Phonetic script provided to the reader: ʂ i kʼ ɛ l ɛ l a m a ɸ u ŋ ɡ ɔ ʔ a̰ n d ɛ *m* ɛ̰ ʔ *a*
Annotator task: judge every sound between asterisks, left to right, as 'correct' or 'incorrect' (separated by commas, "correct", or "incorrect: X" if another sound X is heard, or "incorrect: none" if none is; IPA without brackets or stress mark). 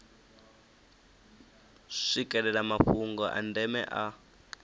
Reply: correct, correct